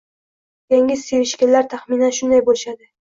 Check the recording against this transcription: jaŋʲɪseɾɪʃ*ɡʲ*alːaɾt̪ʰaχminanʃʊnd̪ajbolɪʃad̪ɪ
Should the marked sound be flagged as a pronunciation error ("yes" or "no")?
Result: yes